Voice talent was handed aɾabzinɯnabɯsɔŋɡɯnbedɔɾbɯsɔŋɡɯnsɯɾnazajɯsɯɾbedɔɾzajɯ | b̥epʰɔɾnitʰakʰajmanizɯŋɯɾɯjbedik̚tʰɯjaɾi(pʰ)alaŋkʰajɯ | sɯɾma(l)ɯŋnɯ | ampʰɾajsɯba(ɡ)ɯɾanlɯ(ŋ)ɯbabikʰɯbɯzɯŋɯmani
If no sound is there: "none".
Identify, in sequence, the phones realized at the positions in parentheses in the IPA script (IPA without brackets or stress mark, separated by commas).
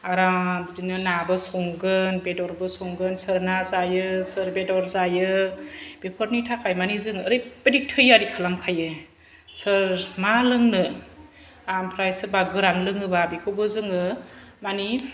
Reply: kʰ, l, ɡ, ŋ